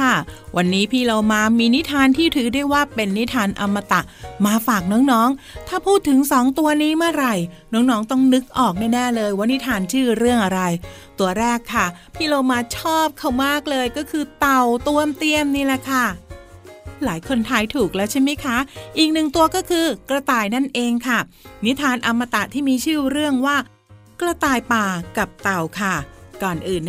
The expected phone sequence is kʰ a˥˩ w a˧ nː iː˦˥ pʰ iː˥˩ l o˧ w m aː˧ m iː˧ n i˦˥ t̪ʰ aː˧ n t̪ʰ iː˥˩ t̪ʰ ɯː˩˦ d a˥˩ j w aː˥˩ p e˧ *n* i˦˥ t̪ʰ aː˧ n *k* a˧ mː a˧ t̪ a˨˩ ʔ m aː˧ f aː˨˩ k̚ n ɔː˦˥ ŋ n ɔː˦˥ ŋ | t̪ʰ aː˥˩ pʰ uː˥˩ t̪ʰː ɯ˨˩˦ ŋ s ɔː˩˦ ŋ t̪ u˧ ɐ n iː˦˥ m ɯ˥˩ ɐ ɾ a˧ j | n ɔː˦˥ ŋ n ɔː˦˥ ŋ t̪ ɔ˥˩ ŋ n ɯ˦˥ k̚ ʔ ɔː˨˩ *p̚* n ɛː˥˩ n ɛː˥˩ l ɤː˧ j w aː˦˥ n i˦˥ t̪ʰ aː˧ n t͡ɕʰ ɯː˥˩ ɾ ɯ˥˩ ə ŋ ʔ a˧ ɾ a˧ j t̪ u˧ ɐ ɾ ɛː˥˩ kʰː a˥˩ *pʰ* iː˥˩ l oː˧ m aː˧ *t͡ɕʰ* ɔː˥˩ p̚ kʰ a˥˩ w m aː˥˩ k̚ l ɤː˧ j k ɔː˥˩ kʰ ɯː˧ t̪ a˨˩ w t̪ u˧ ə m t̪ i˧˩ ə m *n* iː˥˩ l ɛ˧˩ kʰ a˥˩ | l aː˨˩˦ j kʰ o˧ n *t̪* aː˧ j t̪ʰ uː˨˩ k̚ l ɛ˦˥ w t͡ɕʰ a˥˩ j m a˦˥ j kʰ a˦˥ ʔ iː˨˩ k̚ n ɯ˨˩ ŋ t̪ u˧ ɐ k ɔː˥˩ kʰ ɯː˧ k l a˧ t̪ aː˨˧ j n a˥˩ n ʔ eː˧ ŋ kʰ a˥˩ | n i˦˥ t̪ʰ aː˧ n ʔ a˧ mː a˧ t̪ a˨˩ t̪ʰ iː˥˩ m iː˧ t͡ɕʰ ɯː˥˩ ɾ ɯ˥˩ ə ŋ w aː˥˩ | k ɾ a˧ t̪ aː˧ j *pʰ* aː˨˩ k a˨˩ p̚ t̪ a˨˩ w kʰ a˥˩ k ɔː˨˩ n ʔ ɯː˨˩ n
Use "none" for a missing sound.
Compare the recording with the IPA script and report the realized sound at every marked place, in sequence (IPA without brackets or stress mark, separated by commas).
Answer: nː, ʔ, k̚, pʰ, t͡ɕʰ, n, t̪ʰ, p